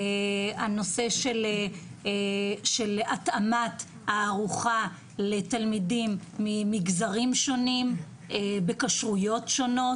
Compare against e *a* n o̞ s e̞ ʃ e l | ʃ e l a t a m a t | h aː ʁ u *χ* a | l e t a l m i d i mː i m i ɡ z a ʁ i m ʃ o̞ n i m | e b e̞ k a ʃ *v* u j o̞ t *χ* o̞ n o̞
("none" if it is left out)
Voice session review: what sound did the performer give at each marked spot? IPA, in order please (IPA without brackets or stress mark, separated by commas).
a, χ, ʁ, ʃ